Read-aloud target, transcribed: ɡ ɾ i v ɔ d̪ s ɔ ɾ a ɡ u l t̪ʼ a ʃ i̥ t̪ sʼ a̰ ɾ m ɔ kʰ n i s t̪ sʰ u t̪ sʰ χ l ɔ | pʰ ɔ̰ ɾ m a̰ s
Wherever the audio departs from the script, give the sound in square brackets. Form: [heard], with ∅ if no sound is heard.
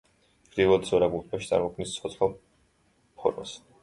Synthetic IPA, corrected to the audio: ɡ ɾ i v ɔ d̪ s ɔ ɾ a ɡ u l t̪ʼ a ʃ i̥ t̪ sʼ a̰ ɾ m ɔ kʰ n i s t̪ sʰ [ɔ] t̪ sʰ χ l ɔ | pʰ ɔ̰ ɾ m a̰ s